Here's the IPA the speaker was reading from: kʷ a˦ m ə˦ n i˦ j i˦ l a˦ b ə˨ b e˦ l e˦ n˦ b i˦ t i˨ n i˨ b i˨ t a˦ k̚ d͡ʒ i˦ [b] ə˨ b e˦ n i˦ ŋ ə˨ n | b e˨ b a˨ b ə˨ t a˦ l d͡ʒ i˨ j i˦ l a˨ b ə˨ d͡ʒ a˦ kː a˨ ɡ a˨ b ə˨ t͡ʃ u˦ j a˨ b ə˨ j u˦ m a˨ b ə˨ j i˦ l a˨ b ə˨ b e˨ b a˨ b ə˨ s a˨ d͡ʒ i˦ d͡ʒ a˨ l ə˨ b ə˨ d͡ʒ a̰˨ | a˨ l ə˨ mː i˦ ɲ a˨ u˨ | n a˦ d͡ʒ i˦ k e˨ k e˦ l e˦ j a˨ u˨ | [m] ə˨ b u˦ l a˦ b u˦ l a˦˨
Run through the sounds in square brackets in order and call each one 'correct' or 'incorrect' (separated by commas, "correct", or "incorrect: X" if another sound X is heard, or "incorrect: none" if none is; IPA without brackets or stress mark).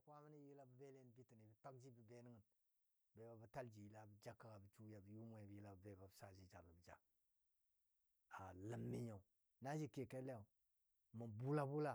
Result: correct, correct